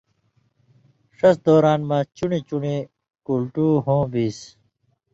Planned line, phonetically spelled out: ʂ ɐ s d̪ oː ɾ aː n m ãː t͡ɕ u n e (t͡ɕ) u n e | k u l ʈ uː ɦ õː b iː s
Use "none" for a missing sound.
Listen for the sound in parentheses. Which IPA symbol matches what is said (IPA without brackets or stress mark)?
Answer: t͡ɕ